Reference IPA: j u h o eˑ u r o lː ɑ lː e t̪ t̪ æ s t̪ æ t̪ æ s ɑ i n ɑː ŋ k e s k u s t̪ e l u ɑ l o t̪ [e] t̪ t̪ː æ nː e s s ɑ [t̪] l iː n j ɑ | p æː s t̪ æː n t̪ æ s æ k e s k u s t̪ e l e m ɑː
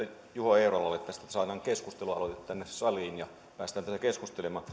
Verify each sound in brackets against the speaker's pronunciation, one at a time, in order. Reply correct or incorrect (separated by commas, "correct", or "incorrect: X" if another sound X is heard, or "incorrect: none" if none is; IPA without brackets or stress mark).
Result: correct, incorrect: none